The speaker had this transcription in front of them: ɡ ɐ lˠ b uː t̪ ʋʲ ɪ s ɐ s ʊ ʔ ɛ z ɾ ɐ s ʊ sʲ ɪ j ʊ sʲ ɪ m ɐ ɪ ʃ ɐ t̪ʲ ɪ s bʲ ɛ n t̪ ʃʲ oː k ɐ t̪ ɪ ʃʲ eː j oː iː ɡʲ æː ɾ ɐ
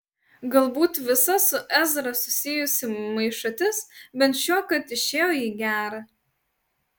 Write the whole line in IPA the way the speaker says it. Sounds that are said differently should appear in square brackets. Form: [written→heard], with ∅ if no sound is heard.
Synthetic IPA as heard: ɡ ɐ lˠ b uː t̪ ʋʲ ɪ s ɐ s ʊ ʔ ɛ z ɾ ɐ s ʊ sʲ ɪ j ʊ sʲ ɪ m ɐ ɪ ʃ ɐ t̪ʲ ɪ s bʲ ɛ n t̪ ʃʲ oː k ɐ t̪ ɪ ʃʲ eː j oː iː ɡʲ æː ɾ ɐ